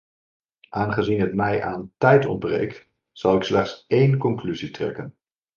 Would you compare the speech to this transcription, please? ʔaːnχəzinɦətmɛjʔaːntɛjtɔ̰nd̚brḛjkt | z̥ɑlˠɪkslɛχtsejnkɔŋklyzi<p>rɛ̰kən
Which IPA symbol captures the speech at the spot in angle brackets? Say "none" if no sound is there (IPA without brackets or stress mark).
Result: t